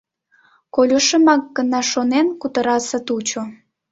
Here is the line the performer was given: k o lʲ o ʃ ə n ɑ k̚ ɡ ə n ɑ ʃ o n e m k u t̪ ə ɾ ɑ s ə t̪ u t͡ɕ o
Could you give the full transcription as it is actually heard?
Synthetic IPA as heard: k o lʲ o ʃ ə m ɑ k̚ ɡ ə n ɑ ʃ o n e n k u t̪ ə ɾ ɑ s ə t̪ u t͡ɕ o